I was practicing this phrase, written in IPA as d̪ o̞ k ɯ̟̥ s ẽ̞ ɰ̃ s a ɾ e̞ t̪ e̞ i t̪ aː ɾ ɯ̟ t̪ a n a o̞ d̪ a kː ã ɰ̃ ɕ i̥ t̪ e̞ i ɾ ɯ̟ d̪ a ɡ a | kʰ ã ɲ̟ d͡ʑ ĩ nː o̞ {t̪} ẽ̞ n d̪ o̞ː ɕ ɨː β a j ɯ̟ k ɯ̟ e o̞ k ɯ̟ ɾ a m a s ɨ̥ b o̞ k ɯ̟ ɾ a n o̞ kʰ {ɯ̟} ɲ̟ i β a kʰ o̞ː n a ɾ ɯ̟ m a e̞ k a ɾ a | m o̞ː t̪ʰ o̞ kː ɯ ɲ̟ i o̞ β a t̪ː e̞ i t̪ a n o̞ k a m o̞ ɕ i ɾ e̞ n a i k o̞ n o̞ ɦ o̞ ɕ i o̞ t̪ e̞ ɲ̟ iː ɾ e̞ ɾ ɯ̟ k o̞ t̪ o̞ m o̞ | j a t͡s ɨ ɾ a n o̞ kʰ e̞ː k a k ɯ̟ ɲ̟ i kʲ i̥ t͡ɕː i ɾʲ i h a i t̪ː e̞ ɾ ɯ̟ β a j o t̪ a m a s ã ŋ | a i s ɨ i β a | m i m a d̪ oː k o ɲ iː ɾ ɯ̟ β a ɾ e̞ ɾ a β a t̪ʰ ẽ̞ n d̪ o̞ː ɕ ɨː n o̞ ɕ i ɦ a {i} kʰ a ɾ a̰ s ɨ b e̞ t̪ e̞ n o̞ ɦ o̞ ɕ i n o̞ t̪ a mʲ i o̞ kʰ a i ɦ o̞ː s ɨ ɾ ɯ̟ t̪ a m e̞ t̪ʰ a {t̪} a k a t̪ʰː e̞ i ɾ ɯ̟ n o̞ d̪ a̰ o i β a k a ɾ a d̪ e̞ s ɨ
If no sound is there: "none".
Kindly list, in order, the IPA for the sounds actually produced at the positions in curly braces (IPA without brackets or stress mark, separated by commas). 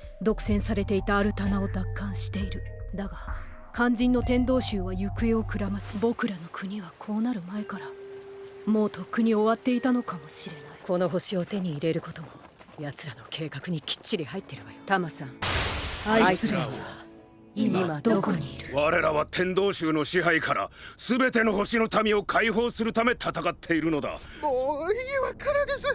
t̪, ɯ̟, i, t̪